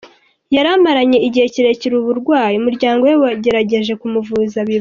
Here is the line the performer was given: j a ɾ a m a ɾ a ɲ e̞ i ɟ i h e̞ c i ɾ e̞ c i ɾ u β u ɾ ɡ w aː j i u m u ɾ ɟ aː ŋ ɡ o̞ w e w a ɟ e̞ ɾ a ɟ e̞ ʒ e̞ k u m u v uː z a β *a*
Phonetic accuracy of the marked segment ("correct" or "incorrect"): incorrect